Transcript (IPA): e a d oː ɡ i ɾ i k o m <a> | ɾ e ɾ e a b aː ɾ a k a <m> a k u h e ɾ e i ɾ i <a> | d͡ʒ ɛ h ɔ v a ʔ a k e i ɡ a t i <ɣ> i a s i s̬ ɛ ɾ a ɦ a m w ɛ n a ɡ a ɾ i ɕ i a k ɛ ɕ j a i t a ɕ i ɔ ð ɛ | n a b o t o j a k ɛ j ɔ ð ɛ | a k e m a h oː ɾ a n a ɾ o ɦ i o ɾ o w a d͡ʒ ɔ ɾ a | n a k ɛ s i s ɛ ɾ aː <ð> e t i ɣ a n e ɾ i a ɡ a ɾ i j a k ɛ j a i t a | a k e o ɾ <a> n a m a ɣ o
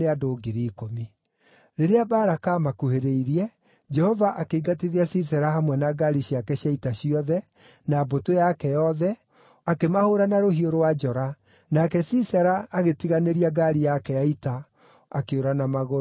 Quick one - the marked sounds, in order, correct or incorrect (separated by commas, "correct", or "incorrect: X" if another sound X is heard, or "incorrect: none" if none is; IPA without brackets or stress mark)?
incorrect: i, correct, incorrect: ɛ, incorrect: ð, incorrect: ɣ, correct